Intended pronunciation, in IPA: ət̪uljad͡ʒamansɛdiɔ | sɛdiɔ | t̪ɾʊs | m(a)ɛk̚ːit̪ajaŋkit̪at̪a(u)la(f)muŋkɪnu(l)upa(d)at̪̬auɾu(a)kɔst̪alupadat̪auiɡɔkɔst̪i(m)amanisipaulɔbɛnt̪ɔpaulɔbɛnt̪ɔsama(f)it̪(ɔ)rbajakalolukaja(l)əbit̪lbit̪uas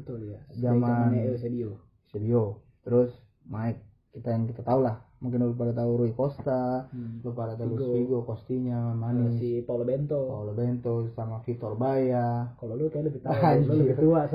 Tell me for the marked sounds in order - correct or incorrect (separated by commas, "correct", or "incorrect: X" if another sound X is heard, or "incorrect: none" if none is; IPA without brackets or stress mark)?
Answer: correct, correct, incorrect: h, correct, correct, incorrect: i, incorrect: ɲ, correct, correct, correct